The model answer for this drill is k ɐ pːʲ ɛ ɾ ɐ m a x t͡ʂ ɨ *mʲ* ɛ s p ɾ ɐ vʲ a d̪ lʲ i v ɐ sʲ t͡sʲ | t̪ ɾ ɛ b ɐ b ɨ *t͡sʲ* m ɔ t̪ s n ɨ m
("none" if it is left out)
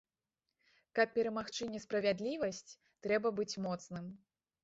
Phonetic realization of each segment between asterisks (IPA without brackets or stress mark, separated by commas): nʲ, t͡sʲ